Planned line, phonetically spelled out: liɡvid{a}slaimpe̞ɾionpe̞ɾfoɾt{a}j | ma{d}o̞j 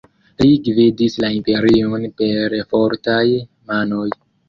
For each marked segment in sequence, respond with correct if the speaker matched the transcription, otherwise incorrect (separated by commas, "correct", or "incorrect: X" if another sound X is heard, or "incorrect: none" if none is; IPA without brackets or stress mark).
incorrect: i, correct, incorrect: n